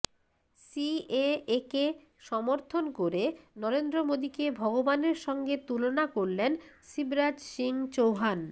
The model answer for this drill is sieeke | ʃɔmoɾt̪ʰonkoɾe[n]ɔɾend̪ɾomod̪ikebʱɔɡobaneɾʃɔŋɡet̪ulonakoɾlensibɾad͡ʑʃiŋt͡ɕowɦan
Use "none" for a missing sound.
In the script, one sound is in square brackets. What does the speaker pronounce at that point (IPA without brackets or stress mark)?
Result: n